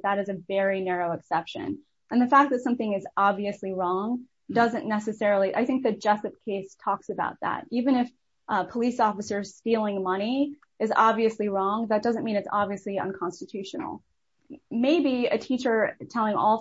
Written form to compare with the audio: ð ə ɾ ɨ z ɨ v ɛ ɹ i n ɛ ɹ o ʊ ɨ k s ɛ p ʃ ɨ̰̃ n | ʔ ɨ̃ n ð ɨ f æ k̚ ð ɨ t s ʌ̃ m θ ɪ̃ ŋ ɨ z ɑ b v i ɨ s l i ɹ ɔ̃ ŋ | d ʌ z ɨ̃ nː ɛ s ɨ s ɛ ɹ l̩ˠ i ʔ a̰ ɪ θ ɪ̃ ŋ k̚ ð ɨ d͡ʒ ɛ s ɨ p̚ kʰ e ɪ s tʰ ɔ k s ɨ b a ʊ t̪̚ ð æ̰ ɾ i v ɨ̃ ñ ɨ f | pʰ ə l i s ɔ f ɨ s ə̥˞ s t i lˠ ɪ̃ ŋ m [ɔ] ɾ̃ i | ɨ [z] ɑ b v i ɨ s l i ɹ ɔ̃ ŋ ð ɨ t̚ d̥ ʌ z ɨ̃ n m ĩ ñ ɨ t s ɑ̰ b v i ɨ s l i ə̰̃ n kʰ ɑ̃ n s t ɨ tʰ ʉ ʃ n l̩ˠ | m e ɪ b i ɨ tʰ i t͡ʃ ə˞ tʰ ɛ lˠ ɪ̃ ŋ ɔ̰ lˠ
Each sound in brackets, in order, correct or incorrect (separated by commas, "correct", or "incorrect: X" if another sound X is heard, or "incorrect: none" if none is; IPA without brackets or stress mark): incorrect: ʌ, correct